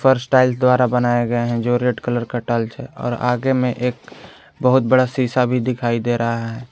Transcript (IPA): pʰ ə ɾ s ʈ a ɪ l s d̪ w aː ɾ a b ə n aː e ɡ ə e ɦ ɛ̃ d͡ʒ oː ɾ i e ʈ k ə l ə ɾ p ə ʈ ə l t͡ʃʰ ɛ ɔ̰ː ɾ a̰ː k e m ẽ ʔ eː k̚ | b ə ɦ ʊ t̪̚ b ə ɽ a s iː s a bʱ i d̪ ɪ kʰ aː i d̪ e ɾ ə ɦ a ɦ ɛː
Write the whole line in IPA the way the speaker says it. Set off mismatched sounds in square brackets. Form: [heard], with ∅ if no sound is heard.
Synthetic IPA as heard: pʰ ə ɾ s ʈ a ɪ l s d̪ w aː ɾ a b ə n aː e ɡ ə e ɦ ɛ̃ d͡ʒ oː ɾ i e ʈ k ə l ə ɾ [k] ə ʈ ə l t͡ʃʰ ɛ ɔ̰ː ɾ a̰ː [ɡ] e m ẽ ʔ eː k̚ | b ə ɦ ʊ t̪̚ b ə ɽ a s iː s a bʱ i d̪ ɪ kʰ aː i d̪ e ɾ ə ɦ a ɦ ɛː